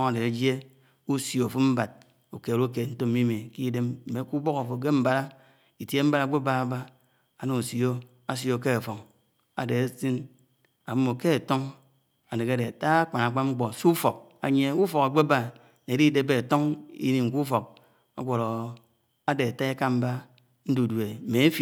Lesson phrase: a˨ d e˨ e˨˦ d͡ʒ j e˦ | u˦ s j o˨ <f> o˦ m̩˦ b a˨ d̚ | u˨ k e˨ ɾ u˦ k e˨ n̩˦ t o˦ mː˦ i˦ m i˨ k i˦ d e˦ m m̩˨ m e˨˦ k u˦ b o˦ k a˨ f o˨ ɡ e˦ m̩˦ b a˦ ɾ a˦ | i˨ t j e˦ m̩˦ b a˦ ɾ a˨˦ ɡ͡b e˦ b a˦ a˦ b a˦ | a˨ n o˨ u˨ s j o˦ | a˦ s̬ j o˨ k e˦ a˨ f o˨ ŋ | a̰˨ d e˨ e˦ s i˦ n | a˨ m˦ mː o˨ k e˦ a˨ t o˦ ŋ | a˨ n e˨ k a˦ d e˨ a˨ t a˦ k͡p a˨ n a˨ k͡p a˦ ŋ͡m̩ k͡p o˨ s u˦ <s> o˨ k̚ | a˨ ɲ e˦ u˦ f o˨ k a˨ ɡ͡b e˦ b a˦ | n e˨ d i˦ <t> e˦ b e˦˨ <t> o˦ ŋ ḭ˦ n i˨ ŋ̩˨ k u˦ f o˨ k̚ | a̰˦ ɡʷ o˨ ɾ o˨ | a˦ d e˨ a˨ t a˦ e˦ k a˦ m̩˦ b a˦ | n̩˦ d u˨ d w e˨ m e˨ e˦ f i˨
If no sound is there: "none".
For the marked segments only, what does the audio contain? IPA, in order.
f, f, d, t

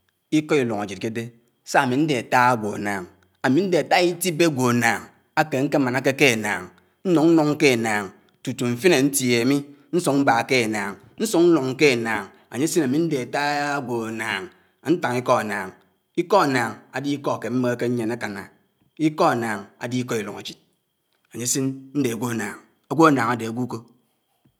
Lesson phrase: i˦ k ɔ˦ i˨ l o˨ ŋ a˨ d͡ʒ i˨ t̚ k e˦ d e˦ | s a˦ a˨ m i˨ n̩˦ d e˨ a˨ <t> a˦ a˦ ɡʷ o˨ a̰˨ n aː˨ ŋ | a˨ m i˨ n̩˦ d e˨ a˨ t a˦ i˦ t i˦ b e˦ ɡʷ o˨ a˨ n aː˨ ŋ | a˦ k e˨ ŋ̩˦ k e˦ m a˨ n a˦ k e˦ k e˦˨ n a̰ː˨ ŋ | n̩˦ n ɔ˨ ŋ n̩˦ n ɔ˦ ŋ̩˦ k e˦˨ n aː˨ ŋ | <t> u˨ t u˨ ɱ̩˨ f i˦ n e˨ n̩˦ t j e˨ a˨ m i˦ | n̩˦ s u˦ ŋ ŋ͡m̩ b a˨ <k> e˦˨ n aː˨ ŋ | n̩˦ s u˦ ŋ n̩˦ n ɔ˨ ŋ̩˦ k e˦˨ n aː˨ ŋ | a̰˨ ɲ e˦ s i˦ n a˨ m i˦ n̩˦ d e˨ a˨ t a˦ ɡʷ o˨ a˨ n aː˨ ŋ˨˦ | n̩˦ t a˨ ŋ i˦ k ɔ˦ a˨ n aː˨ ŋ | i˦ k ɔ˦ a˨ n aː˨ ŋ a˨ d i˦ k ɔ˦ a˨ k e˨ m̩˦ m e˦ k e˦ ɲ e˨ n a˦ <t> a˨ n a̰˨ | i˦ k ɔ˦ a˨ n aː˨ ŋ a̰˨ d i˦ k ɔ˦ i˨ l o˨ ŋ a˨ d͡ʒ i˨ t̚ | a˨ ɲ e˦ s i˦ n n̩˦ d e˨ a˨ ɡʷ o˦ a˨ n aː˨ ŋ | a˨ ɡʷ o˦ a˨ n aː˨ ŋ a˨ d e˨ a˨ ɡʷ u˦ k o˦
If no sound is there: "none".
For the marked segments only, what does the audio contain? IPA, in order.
t, t, k, k

